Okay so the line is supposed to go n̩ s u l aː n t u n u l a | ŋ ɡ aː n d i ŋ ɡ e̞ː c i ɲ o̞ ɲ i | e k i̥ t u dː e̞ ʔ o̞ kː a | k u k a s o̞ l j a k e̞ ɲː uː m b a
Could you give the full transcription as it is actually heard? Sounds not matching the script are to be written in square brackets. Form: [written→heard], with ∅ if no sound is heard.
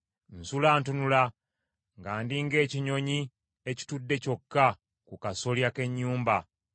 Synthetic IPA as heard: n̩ s u l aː n t u n u l a | ŋ ɡ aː n d i ŋ ɡ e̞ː c i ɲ o̞ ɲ i | e [k→c] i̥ t u dː e̞ [ʔ→c] o̞ kː a | k u k a s o̞ l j a k e̞ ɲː uː m b a